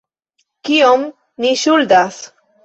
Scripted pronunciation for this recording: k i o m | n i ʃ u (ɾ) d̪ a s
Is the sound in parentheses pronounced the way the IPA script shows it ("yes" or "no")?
no